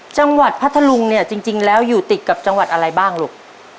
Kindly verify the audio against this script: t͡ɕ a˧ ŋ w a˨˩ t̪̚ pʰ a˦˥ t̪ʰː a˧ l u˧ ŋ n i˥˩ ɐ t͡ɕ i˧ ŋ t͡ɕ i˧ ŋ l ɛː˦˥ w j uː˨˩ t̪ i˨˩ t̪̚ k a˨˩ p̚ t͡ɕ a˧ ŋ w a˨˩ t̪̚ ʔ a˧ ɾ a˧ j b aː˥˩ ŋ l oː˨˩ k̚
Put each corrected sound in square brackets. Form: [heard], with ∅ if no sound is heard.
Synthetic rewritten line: t͡ɕ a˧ ŋ w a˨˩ t̪̚ pʰ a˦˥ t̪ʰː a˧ l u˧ ŋ n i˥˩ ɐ t͡ɕ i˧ ŋ t͡ɕ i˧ ŋ l ɛː˦˥ w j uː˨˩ t̪ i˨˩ t̪̚ k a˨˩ p̚ t͡ɕ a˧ ŋ w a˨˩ t̪̚ ʔ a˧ ɾ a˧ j b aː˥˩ ŋ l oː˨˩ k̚

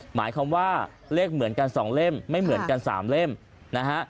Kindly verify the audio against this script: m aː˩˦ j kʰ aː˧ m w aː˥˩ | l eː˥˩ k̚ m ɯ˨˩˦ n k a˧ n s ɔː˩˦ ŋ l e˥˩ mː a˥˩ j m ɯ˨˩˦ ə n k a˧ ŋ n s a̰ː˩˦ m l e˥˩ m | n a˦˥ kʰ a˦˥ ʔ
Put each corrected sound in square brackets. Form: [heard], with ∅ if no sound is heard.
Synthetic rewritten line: m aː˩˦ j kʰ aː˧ m w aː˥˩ | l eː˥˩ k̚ m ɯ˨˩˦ n k a˧ n s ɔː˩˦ ŋ l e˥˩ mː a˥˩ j m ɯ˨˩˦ ə n k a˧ [∅] n s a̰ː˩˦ m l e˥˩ m | n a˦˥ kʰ a˦˥ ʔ

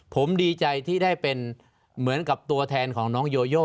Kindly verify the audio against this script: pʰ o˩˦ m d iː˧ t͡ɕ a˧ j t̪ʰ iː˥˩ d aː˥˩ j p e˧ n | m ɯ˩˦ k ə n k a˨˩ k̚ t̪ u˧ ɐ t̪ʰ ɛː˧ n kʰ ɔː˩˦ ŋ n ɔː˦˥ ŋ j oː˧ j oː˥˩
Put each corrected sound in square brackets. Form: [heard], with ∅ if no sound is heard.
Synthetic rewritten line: pʰ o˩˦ m d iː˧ t͡ɕ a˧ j t̪ʰ iː˥˩ d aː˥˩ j p e˧ n | m ɯ˩˦ [∅] ə n k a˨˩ [p̚] t̪ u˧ ɐ t̪ʰ ɛː˧ n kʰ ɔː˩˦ ŋ n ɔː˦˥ ŋ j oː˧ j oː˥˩

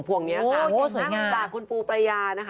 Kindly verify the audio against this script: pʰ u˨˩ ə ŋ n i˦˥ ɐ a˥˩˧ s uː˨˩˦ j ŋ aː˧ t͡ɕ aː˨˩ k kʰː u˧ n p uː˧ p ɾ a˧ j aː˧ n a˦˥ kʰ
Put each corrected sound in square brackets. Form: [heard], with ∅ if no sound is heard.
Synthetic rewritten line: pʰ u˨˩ ə ŋ n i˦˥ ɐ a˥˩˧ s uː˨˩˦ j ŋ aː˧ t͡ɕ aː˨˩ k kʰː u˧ n p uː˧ p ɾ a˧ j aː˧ n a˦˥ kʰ

